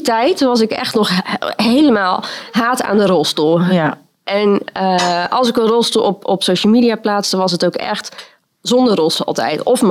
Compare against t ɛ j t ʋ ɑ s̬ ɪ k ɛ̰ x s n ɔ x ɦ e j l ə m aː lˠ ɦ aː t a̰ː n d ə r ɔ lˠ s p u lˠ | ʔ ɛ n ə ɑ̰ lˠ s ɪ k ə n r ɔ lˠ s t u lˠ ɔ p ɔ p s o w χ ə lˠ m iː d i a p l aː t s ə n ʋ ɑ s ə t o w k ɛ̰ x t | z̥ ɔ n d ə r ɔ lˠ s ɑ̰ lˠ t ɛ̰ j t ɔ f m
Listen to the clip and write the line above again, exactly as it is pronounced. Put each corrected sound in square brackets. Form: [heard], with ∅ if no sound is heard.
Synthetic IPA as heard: t ɛ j t ʋ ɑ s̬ ɪ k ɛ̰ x [t] n ɔ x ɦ e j l ə m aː lˠ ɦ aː t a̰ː n d ə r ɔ lˠ s [t] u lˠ | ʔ ɛ n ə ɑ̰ lˠ s ɪ k ə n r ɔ lˠ s t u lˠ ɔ p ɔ p s o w [ʃ] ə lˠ m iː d i a p l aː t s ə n ʋ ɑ s ə t o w k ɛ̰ x t | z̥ ɔ n d ə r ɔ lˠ s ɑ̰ lˠ t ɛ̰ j t ɔ f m